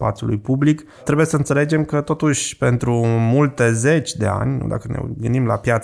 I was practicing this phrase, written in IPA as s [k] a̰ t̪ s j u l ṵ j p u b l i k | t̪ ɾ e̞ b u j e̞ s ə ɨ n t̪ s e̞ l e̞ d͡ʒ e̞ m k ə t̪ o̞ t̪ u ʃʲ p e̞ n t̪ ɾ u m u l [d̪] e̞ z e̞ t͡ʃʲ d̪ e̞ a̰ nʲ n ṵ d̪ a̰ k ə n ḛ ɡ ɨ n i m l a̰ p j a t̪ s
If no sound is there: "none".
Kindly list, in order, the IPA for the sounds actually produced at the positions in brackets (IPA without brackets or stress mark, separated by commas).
p, t̪